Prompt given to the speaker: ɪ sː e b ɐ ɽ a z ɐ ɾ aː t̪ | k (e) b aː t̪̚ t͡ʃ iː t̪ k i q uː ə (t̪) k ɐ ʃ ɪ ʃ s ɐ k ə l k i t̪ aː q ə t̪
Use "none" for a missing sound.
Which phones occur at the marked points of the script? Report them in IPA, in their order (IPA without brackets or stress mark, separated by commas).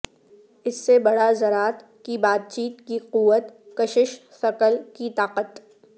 i, t̪